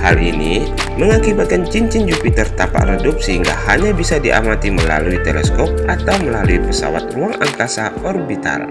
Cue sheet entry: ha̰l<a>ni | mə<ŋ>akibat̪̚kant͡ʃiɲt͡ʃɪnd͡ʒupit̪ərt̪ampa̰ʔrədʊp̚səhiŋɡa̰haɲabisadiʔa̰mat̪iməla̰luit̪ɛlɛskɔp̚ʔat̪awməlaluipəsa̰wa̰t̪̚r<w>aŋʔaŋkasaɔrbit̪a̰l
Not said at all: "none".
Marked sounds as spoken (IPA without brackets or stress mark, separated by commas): i, ŋ, u